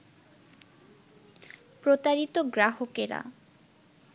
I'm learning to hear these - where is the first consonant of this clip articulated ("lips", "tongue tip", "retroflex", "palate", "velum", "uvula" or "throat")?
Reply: lips